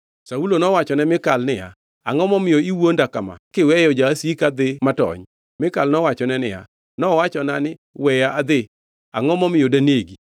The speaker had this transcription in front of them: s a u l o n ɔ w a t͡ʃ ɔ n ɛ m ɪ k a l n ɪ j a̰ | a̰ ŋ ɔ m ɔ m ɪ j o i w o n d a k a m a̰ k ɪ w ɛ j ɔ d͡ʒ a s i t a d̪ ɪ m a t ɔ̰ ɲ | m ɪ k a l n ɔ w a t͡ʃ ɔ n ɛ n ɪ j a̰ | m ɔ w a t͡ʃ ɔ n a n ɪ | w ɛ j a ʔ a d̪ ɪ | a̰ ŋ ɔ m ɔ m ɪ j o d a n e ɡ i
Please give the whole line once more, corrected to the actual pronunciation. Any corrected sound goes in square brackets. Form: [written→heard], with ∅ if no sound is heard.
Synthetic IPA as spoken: s a u l o n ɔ w a t͡ʃ ɔ n ɛ m ɪ k a l n ɪ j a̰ | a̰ ŋ ɔ m ɔ m ɪ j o i w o n d a k a m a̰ k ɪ w ɛ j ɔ d͡ʒ a s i [t→k] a d̪ ɪ m a t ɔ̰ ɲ | m ɪ k a l n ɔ w a t͡ʃ ɔ n ɛ n ɪ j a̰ | [m→n] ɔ w a t͡ʃ ɔ n a n ɪ | w ɛ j a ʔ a d̪ ɪ | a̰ ŋ ɔ m ɔ m ɪ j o d a n e ɡ i